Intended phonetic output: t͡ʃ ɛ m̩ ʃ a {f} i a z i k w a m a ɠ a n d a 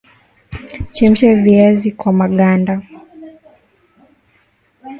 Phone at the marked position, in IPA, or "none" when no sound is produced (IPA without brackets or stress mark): v